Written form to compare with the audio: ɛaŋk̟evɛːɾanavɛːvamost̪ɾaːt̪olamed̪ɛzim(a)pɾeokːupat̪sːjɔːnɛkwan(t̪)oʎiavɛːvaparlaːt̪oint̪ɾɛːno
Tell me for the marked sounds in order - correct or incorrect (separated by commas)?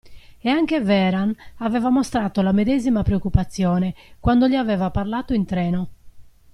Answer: correct, incorrect